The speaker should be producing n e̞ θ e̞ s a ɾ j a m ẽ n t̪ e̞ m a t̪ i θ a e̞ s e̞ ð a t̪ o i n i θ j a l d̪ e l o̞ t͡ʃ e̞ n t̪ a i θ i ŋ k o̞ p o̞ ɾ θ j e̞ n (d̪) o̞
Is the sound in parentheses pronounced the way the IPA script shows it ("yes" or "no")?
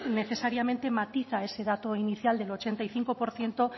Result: no